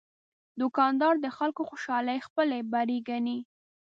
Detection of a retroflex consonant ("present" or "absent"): absent